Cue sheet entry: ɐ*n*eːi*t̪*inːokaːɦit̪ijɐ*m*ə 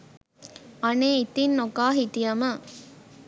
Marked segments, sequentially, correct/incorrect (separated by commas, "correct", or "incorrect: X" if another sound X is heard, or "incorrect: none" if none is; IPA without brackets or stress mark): correct, correct, correct